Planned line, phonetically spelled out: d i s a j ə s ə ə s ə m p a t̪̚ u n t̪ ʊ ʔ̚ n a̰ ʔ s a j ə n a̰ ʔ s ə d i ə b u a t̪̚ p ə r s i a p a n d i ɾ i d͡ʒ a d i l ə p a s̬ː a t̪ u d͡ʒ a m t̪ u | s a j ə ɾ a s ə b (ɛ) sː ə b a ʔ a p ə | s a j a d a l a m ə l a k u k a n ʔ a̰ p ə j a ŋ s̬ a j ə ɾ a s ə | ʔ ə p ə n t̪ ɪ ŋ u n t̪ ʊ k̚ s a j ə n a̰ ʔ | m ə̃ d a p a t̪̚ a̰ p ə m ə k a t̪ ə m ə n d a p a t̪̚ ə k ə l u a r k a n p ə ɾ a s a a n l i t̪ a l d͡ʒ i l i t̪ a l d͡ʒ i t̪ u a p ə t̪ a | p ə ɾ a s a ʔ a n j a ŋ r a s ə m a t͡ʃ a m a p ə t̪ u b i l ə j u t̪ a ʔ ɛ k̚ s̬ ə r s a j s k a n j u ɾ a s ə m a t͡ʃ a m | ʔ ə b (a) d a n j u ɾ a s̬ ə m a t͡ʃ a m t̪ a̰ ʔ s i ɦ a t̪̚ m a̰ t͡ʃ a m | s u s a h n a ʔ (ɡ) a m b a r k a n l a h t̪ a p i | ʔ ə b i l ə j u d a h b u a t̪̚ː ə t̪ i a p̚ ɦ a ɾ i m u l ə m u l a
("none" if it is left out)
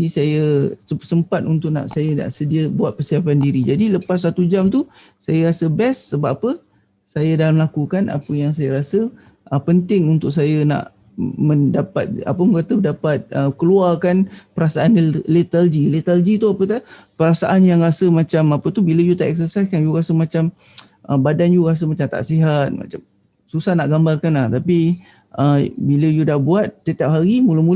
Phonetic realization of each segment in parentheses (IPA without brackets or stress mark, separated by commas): ɛ, a, ɡ